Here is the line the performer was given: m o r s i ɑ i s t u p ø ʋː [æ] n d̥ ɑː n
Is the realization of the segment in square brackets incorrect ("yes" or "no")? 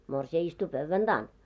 no